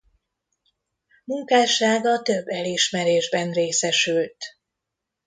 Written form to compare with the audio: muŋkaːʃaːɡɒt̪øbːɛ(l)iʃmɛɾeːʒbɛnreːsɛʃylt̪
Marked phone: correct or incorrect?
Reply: correct